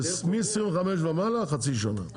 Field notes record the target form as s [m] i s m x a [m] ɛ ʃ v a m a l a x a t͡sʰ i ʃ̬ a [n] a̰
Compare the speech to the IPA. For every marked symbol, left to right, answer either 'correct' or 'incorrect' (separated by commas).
correct, correct, correct